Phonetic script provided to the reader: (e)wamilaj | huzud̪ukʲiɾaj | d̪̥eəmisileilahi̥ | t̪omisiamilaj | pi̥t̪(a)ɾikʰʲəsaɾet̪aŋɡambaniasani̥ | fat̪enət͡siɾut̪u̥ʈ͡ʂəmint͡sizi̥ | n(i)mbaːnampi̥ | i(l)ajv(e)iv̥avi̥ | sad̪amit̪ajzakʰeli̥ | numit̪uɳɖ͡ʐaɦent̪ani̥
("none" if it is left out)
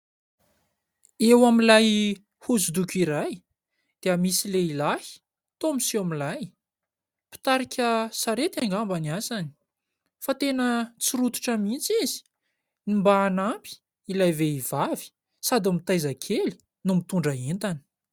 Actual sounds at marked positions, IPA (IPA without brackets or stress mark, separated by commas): e, a, i, l, e